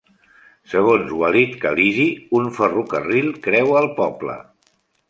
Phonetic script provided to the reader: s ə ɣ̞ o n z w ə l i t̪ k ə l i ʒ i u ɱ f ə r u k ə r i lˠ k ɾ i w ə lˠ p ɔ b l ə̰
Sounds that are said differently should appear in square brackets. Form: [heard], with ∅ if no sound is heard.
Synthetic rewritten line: s ə ɣ̞ o n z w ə l i t̪ k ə l i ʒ i u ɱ f ə r u k ə r i lˠ k ɾ [ɛ] w ə lˠ p ɔ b l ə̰